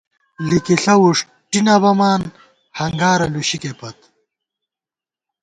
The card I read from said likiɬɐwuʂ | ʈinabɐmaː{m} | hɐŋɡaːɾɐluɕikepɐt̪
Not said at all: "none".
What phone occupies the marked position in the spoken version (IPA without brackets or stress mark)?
n